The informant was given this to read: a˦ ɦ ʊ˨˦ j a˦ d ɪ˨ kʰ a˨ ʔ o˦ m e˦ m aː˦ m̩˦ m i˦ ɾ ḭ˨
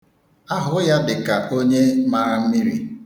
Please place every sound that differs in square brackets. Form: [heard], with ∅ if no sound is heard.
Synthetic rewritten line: a˦ ɦ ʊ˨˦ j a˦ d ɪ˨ [k] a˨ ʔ o˦ [ɲ] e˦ m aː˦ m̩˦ m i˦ ɾ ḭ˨